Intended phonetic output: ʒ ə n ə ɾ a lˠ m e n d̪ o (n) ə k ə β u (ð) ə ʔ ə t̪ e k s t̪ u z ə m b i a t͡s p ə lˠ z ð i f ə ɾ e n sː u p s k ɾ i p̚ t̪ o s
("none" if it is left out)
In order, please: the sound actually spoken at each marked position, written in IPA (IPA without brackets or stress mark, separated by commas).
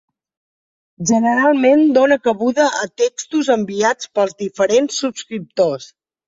n, ð